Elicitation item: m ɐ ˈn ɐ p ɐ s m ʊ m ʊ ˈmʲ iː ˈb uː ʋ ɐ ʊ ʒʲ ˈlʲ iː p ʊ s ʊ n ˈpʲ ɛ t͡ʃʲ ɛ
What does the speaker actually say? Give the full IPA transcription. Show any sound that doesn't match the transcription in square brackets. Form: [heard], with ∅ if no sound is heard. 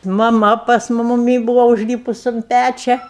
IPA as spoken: m ɐ [ˈm] ɐ p ɐ s m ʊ m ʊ ˈmʲ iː ˈb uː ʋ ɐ ʊ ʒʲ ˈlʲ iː p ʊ s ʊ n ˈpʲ [æ] t͡ʃʲ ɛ

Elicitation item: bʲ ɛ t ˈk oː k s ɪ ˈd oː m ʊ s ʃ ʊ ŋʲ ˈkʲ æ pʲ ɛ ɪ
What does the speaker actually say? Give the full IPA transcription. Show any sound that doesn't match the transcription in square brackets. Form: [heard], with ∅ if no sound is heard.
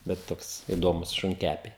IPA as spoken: bʲ ɛ t [ˈt] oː k s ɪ ˈd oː m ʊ s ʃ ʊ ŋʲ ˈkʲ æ pʲ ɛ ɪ

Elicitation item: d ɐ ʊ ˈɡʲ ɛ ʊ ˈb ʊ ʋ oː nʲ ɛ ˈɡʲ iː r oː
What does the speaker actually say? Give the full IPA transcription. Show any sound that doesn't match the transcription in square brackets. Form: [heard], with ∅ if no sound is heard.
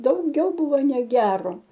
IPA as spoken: d ɐ ʊ ˈɡʲ ɛ ʊ ˈb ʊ ʋ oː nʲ ɛ ˈɡʲ [æː] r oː

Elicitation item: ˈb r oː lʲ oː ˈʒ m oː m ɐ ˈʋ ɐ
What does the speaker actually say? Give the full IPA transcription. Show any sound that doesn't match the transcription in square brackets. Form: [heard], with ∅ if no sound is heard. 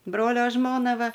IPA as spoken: ˈb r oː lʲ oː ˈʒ m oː [n] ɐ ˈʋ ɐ

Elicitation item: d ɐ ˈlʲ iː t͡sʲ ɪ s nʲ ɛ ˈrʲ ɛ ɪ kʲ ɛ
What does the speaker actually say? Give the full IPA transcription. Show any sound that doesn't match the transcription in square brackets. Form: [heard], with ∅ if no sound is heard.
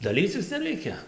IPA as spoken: d ɐ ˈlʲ iː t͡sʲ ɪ s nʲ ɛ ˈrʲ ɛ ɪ kʲ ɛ

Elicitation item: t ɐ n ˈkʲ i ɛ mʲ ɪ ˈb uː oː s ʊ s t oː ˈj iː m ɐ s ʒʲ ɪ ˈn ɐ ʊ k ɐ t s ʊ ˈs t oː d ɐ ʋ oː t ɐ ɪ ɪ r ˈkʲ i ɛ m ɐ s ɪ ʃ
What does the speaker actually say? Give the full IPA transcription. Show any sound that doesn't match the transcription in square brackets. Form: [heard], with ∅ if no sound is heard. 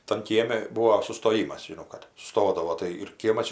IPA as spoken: t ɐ n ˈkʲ i ɛ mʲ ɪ ˈb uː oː s ʊ s t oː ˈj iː m ɐ s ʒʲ ɪ ˈn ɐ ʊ k ɐ t s ʊ ˈs t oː d ɐ ʋ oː t ɐ ɪ ɪ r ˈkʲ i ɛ m ɐ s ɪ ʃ

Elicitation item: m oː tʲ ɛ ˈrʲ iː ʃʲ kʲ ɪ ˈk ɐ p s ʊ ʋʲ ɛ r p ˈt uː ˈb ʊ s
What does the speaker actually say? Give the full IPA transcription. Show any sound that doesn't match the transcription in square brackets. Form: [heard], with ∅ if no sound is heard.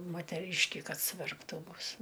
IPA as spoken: m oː tʲ ɛ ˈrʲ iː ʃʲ kʲ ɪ ˈk ɐ [t] s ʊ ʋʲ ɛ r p ˈt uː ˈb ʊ s

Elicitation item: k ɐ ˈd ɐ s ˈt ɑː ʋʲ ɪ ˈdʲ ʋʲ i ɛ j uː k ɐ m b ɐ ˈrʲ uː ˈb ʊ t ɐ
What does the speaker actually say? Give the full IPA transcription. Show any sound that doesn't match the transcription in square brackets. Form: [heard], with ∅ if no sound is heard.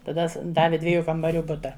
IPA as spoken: [t] ɐ ˈd ɐ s [ˈd] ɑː ʋʲ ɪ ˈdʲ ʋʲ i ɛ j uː k ɐ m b ɐ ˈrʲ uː ˈb ʊ t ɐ

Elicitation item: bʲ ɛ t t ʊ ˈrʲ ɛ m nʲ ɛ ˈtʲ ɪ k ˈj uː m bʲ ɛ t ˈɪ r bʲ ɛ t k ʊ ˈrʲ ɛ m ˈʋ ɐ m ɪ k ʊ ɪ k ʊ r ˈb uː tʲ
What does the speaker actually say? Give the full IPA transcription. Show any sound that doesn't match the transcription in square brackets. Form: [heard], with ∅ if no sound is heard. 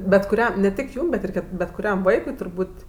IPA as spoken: bʲ ɛ t [k] ʊ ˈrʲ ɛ m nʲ ɛ ˈtʲ ɪ k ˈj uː m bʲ ɛ t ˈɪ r bʲ ɛ t k ʊ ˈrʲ ɛ m ˈʋ ɐ [∅] ɪ k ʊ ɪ [t] ʊ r ˈb uː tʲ

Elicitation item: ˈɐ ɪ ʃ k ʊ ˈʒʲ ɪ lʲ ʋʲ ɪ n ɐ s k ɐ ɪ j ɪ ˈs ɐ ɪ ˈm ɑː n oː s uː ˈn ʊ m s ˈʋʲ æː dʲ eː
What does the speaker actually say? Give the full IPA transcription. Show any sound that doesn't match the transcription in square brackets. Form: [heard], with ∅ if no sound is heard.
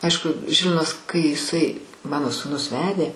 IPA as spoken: ˈɐ ɪ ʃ k ʊ ˈʒʲ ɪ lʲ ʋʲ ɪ n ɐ s k ɐ ɪ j ɪ ˈs ɐ ɪ ˈm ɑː n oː s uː ˈn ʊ [∅] s ˈʋʲ æː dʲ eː

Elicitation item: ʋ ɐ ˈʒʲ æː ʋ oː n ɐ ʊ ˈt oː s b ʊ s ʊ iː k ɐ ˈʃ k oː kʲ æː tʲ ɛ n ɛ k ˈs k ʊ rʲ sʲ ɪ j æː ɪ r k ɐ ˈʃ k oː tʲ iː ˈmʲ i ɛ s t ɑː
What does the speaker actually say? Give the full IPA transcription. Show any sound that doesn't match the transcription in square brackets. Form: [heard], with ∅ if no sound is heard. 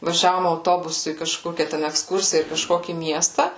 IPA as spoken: ʋ ɐ ˈʒʲ æː ʋ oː [m] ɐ ʊ ˈt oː [∅] b ʊ s ʊ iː k ɐ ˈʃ k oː kʲ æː tʲ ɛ n ɛ k ˈs k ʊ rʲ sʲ ɪ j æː ɪ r k ɐ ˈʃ k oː [kʲ] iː ˈmʲ i ɛ s t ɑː

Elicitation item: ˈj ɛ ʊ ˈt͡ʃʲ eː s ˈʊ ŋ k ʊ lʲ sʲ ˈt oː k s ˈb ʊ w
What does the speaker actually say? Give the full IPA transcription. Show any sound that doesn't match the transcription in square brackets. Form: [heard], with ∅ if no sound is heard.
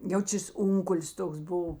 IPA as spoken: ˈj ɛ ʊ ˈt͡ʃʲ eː s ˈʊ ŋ k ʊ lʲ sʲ ˈt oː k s ˈb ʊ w

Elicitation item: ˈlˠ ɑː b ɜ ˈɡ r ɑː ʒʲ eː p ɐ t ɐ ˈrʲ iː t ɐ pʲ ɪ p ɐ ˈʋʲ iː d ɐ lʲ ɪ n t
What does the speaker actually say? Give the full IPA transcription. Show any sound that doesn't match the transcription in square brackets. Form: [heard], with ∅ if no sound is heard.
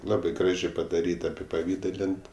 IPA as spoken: ˈlˠ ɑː b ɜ ˈɡ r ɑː ʒʲ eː p ɐ [d] ɐ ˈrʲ iː t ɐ pʲ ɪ p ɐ ˈʋʲ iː d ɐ lʲ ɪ n t

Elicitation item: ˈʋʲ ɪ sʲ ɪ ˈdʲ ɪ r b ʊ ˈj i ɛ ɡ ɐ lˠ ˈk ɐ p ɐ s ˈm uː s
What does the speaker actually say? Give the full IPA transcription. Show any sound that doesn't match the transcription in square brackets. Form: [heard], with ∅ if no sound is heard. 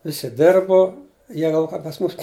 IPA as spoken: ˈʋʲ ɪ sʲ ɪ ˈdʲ ɪ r b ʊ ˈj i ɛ ɡ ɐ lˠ ˈk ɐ p ɐ s ˈm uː s

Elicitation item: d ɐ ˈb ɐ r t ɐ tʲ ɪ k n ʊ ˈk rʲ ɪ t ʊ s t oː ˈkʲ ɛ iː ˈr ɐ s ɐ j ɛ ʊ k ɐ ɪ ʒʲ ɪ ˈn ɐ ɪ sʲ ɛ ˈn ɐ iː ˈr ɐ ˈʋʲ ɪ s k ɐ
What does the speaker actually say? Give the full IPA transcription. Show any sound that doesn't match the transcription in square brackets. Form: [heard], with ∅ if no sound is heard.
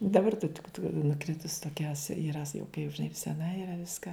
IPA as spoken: d ɐ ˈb ɐ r t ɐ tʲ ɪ k n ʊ ˈk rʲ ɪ t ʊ s t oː ˈkʲ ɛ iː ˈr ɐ s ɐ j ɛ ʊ k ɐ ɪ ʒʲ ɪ ˈn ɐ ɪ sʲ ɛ ˈn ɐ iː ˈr ɐ ˈʋʲ ɪ s k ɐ

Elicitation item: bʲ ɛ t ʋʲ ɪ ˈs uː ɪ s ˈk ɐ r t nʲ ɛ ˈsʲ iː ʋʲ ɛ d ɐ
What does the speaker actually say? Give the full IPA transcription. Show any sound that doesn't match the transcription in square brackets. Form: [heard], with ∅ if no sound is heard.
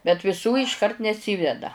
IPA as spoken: bʲ ɛ t ʋʲ ɪ ˈs uː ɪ [ʃ] ˈk ɐ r t nʲ ɛ ˈsʲ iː ʋʲ ɛ d ɐ

